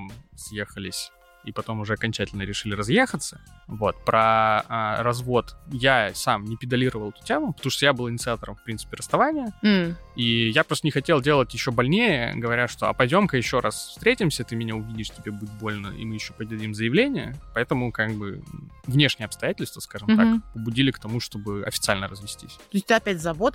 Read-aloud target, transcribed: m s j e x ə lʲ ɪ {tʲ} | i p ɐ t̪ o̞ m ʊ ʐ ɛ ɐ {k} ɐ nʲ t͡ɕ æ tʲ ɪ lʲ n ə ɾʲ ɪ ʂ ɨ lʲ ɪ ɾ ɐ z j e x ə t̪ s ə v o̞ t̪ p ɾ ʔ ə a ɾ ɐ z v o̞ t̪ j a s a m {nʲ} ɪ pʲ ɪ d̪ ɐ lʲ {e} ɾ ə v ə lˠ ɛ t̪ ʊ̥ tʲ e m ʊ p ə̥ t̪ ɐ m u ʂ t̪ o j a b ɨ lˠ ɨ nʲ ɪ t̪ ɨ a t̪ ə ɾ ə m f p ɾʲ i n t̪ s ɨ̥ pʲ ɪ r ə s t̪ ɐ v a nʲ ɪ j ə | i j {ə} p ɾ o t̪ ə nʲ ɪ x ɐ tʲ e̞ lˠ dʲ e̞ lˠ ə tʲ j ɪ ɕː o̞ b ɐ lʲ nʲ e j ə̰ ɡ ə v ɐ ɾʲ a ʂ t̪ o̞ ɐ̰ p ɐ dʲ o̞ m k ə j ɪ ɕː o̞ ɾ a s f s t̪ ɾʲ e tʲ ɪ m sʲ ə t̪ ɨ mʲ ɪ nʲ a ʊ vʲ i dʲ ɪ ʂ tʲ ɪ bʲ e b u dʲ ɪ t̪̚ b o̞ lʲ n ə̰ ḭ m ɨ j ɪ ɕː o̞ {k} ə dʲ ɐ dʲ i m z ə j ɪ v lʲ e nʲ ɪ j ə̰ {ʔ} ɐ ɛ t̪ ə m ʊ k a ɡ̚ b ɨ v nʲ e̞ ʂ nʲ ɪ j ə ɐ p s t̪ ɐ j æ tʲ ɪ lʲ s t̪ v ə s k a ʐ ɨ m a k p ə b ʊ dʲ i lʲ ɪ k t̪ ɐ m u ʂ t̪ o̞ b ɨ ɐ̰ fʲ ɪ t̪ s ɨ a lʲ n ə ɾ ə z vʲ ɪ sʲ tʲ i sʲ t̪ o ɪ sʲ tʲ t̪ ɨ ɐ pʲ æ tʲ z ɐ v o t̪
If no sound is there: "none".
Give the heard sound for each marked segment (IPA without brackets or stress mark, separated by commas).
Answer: sʲ, k, nʲ, i, a, p, p